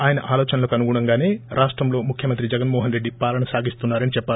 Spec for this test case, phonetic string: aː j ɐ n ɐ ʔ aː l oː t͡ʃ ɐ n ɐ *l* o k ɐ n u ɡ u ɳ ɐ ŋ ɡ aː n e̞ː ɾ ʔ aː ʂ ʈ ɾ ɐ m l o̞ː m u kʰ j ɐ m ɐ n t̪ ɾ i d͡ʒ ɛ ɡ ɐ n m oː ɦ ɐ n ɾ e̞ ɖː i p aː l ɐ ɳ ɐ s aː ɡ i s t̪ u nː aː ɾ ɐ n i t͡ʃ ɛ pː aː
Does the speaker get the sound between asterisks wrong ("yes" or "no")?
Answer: no